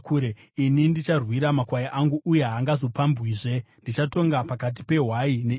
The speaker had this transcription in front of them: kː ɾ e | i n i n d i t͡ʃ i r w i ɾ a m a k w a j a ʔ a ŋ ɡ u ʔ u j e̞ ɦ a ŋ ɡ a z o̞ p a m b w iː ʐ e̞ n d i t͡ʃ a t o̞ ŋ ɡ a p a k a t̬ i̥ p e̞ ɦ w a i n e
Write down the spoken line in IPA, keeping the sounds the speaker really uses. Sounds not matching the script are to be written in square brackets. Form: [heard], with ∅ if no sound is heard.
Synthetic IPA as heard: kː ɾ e | i n i n d i t͡ʃ [a] r w i ɾ a m a k w a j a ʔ a ŋ ɡ u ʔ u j e̞ ɦ a ŋ ɡ a z o̞ p a m b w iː ʐ e̞ n d i t͡ʃ a t o̞ ŋ ɡ a p a k a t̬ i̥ p e̞ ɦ w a i n e